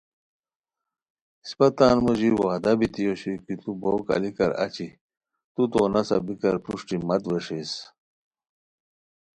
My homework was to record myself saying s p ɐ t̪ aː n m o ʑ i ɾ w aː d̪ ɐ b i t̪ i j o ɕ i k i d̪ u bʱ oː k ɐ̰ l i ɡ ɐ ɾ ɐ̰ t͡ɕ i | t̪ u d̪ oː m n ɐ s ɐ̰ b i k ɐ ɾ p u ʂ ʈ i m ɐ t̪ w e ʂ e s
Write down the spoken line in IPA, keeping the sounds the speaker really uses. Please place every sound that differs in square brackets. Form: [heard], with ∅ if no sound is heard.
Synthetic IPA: s p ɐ t̪ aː n m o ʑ i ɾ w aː d̪ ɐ b i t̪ i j o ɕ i k i [t̪] u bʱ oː k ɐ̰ l i [k] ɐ ɾ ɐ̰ t͡ɕ i | t̪ u [t̪] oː [∅] n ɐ s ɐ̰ b i k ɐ ɾ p u ʂ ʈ i m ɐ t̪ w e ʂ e s

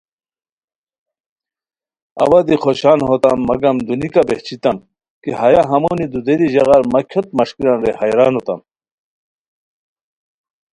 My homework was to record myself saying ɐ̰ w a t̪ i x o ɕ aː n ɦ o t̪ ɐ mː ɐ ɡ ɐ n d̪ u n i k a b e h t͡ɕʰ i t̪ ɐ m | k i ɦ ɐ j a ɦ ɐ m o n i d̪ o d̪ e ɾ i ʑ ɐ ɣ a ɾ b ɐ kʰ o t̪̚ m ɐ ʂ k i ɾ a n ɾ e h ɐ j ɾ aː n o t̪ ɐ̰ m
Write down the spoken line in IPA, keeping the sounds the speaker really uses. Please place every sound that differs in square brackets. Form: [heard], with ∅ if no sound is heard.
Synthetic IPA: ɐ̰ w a [d̪] i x o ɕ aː n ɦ o t̪ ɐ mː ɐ ɡ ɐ [m] d̪ u n i k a b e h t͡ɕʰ i t̪ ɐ m | k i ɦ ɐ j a ɦ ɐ m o n i d̪ [u] d̪ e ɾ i ʑ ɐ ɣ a ɾ [m] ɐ kʰ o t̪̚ m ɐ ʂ k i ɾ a n ɾ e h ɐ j ɾ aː n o t̪ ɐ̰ m

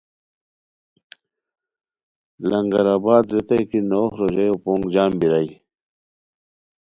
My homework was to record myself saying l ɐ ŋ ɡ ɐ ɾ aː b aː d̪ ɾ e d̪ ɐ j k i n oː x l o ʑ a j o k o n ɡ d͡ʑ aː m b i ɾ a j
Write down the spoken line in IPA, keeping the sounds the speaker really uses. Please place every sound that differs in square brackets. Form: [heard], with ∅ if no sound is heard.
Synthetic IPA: l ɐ ŋ ɡ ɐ ɾ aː b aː d̪ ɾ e [t̪] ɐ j k i n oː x [ɾ] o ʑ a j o [p] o [ŋ] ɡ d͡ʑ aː m b i ɾ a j

